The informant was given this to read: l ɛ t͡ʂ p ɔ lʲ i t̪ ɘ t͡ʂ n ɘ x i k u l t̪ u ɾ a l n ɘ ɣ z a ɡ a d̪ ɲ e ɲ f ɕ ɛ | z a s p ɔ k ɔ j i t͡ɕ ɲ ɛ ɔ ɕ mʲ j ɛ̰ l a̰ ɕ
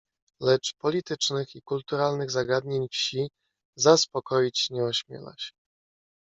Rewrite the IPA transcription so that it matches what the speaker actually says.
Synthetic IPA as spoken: l ɛ t͡ʂ p ɔ lʲ i t̪ ɘ t͡ʂ n ɘ x i k u l t̪ u ɾ a l n ɘ ɣ z a ɡ a d̪ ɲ e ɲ f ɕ i | z a s p ɔ k ɔ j i t͡ɕ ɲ ɛ ɔ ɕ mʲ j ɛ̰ l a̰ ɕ